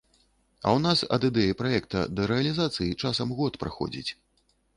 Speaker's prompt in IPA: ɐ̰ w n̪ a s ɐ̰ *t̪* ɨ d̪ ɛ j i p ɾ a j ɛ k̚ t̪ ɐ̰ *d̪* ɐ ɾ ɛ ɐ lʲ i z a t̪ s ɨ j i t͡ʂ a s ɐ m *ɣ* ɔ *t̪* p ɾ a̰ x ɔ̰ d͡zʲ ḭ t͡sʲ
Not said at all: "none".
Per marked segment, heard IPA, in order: d̪, d̪, ɣ, t̪

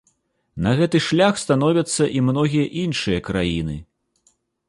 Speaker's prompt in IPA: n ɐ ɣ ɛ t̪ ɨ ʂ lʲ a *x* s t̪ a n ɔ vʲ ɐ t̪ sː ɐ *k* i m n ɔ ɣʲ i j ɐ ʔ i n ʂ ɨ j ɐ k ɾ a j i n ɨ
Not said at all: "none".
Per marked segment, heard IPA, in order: x, ʔ

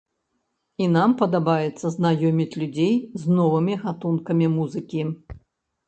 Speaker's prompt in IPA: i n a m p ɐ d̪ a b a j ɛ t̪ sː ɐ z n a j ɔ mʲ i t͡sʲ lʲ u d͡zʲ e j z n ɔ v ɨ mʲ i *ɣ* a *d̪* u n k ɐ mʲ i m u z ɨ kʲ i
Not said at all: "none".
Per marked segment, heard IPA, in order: ɣ, t̪

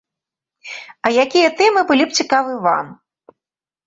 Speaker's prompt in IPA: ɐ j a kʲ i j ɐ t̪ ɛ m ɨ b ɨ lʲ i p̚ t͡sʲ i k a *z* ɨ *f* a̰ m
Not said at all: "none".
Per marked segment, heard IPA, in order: v, v

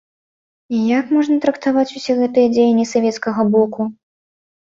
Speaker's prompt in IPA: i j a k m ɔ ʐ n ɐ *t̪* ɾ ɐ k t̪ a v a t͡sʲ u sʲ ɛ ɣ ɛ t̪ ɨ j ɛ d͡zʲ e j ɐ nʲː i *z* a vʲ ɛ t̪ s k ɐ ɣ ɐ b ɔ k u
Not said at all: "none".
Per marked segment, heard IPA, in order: t̪, s

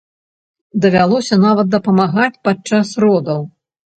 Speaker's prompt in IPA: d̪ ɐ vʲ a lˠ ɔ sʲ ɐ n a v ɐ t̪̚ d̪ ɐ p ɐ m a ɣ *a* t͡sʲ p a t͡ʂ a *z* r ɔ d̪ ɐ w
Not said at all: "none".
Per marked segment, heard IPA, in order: a, s

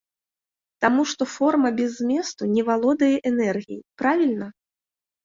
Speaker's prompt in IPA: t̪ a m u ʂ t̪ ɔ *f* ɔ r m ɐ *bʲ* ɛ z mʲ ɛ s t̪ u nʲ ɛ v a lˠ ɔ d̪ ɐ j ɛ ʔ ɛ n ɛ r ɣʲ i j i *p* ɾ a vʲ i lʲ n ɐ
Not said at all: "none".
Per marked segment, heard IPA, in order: f, bʲ, p

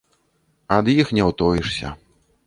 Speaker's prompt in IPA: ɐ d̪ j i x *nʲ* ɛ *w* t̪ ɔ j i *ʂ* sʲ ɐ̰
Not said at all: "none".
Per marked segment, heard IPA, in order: nʲ, w, ʂ

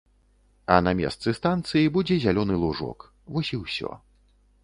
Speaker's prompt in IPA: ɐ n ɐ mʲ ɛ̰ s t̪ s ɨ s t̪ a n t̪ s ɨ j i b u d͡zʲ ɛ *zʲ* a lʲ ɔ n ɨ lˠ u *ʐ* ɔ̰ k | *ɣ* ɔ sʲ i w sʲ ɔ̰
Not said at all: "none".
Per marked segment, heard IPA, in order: zʲ, ʐ, v

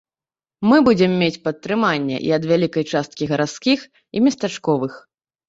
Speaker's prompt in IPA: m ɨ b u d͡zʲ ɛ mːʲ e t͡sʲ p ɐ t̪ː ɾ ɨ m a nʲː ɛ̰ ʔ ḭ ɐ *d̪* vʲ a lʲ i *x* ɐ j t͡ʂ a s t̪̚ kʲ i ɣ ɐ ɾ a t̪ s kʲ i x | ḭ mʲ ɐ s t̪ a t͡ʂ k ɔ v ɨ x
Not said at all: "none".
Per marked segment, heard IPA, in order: d̪, k

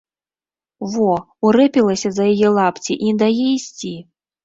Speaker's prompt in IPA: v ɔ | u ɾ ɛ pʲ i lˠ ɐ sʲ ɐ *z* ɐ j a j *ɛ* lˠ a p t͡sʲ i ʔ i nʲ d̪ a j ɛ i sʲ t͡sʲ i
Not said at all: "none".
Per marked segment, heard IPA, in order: z, ɛ

